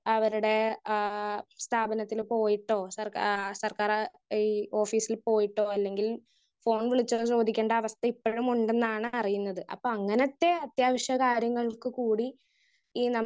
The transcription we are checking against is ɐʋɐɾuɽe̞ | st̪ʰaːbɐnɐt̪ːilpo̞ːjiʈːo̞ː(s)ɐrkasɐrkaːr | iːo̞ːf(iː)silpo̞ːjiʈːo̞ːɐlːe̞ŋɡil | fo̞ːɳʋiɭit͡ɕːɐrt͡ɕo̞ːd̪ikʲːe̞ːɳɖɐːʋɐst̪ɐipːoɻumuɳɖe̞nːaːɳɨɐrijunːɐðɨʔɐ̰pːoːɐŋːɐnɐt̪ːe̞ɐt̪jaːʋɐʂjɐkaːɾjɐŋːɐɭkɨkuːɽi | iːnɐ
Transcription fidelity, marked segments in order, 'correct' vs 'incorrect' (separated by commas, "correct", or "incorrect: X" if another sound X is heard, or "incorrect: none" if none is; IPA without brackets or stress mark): correct, correct